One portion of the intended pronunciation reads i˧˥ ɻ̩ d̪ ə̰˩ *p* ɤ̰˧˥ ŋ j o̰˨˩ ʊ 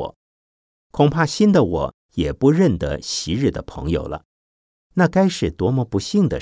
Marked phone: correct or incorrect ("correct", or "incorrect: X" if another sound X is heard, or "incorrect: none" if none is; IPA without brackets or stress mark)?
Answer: incorrect: pʰ